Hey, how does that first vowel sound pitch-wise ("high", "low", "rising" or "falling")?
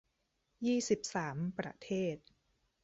falling